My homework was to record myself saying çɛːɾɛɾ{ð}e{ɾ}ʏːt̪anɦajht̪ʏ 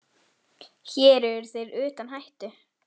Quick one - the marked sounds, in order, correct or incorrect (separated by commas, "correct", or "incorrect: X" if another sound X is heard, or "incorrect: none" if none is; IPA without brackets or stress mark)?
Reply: incorrect: θ, correct